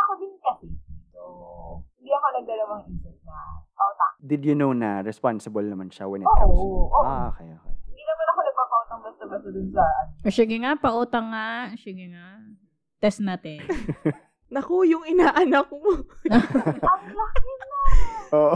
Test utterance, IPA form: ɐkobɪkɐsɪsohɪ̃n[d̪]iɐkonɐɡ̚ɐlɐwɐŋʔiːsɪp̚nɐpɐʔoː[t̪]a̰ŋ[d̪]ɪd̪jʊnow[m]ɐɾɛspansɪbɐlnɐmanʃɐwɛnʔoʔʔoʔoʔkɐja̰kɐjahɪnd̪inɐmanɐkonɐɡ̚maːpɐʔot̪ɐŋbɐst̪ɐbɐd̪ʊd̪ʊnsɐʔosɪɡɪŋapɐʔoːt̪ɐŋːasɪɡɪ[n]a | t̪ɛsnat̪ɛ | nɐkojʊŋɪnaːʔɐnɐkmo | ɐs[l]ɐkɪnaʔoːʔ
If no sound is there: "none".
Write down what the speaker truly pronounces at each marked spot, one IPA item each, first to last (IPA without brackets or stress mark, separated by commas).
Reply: d̪, t̪, d̪, n, ŋ, l